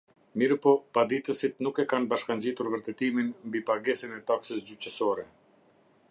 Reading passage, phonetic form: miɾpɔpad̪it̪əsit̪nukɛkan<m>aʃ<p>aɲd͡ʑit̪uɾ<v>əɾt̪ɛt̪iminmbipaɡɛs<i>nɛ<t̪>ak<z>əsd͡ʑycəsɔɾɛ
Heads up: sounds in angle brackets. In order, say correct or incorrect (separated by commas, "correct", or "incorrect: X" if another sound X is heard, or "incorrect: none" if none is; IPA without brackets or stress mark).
incorrect: b, incorrect: k, correct, correct, correct, incorrect: s